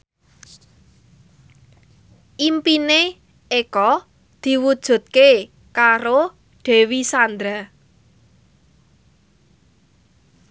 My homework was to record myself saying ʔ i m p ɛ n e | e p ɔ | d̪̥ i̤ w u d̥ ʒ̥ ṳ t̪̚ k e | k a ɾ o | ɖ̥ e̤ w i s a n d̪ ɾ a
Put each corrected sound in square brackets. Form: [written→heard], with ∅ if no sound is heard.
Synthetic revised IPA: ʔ i m p [ɛ→i] n e | e [p→k] ɔ | d̪̥ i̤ w u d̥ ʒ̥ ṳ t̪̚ k e | k a ɾ o | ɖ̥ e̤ w i s a n d̪ ɾ a